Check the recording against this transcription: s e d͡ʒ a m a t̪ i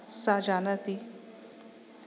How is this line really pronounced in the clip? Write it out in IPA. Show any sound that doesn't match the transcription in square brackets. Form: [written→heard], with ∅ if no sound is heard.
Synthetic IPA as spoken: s [e→a] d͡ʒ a [m→n] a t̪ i